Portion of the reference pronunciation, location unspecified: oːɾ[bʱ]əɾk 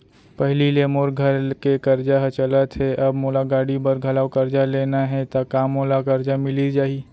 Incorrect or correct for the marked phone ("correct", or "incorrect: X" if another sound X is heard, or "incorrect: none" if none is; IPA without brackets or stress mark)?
incorrect: ɡʱ